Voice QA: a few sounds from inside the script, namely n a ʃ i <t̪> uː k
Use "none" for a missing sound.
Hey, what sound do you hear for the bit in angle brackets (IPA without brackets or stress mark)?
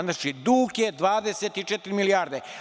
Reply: d̪